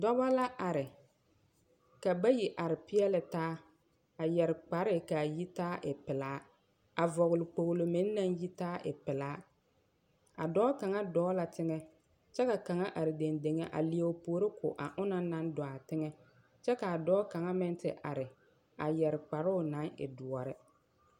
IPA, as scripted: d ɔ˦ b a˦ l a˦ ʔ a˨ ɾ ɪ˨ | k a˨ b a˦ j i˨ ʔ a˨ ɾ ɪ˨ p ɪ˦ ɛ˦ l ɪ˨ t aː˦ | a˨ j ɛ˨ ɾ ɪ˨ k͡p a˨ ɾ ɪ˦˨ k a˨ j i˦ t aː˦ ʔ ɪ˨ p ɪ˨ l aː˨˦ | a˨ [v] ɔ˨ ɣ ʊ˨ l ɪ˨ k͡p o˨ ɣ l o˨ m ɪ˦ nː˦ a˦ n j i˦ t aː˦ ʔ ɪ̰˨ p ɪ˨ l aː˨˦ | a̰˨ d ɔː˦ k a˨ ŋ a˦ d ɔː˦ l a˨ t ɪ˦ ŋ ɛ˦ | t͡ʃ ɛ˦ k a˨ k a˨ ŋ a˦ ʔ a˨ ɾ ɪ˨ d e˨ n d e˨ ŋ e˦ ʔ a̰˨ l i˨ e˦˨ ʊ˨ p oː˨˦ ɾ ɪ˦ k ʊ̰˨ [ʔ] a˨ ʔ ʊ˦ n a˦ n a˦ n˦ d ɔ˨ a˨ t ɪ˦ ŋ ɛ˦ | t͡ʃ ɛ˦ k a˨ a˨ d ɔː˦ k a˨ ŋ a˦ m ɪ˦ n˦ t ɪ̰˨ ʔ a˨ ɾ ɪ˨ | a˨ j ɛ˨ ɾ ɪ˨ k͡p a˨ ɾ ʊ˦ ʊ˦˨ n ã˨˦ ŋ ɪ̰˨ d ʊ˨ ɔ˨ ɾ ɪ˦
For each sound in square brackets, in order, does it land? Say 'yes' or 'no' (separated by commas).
yes, yes